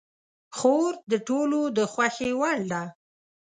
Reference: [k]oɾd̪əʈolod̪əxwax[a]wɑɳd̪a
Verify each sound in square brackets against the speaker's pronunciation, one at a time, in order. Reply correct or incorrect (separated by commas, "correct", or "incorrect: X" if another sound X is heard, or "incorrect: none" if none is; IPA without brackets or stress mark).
incorrect: x, incorrect: e